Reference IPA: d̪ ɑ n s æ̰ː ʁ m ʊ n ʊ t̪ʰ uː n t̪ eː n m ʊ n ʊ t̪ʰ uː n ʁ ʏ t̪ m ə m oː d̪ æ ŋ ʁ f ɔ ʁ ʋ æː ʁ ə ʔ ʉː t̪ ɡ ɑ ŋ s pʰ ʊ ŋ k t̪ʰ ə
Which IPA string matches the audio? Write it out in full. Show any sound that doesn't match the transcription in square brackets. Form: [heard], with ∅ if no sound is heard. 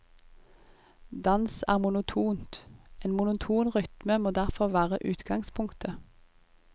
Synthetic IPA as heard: d̪ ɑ n s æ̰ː ʁ m ʊ n ʊ t̪ʰ uː n t̪ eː n m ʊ n ʊ t̪ʰ uː n ʁ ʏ t̪ m ə m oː d̪ æ [∅] ʁ f ɔ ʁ ʋ æː ʁ ə ʔ ʉː t̪ ɡ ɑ ŋ s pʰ ʊ ŋ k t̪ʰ ə